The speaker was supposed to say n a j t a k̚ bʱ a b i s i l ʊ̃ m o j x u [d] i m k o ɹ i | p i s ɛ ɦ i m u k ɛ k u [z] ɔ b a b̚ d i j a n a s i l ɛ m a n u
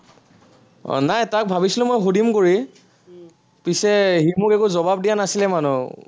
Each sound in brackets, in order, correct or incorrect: correct, correct

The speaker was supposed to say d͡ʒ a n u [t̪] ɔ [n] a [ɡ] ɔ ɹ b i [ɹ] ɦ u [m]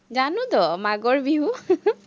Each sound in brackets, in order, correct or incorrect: incorrect: d̪, incorrect: m, correct, incorrect: none, incorrect: none

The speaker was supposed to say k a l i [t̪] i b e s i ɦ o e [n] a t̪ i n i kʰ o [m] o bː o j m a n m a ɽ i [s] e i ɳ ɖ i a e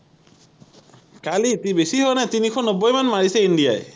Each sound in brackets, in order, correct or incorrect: correct, correct, incorrect: n, correct

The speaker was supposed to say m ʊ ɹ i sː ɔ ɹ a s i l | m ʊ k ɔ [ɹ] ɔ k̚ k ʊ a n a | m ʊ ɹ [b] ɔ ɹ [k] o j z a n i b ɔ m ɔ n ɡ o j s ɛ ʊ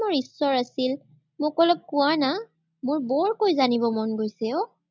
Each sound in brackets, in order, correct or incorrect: incorrect: l, correct, correct

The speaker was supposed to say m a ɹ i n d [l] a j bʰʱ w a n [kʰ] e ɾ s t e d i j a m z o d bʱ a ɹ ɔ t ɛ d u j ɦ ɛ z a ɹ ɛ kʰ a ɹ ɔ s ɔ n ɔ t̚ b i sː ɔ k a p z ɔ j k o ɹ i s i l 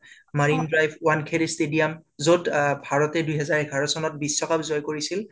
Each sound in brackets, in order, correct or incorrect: incorrect: ɹ, correct

